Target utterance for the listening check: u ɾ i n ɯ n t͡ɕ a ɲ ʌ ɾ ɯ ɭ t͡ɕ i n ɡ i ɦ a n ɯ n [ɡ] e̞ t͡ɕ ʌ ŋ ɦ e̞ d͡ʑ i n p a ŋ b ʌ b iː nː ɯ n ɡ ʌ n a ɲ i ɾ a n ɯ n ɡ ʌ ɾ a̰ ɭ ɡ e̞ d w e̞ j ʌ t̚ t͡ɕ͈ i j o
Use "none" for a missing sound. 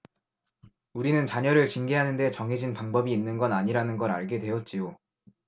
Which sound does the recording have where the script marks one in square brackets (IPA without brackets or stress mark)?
d